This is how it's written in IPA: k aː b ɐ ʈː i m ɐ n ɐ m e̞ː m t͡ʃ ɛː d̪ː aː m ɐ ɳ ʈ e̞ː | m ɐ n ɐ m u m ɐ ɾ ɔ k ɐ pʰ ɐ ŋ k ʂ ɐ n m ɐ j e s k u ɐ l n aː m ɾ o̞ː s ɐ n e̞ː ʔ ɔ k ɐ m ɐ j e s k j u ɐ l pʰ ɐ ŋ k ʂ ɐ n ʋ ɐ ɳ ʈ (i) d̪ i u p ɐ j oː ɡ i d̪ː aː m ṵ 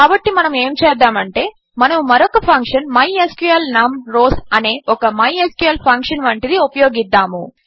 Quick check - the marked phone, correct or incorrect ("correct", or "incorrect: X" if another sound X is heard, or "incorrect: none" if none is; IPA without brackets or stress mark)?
correct